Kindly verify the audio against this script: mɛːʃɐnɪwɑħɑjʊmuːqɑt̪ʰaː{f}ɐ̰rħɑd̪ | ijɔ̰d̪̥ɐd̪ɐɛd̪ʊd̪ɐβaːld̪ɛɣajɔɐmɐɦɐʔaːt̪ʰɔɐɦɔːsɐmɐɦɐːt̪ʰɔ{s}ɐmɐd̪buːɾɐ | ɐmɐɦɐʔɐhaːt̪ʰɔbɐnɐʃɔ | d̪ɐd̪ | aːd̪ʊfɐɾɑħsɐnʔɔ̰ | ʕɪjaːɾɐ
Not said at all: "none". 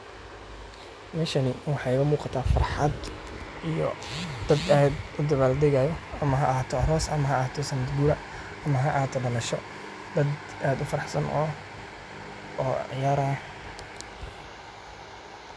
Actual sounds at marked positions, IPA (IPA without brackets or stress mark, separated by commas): f, s